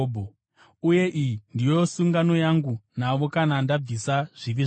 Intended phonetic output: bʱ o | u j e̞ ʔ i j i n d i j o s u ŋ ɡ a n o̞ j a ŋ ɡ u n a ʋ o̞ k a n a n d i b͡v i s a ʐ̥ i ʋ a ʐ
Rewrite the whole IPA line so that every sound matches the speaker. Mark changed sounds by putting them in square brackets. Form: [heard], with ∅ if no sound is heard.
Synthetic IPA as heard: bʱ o | u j e̞ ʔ i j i n d i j o s u ŋ ɡ a n o̞ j a ŋ ɡ u n a ʋ o̞ k a n a n d [a] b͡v i s a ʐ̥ i ʋ [i] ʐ